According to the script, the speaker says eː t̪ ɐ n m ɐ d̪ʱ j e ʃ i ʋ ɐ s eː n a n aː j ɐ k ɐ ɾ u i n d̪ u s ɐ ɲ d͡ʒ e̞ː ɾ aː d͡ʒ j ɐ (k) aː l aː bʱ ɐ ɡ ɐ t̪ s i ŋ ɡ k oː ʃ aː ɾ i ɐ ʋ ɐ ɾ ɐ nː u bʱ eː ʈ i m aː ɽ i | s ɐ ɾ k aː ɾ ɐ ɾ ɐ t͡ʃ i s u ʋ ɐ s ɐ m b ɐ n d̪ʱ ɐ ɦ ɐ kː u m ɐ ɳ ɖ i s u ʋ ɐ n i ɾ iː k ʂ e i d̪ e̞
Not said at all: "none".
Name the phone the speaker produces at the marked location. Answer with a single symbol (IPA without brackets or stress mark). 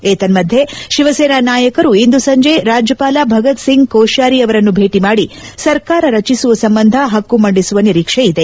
p